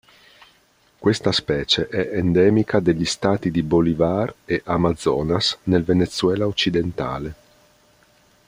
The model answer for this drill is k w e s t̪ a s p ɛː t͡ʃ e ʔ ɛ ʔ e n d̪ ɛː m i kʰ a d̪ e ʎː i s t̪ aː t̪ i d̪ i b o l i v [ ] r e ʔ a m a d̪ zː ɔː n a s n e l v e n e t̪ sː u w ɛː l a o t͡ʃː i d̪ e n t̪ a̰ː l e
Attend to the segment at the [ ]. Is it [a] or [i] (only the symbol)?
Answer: a